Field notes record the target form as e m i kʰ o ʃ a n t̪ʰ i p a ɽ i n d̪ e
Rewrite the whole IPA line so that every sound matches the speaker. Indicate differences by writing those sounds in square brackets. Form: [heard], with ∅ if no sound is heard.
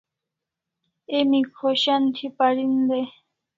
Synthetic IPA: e m i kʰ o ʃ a n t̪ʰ i p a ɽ i n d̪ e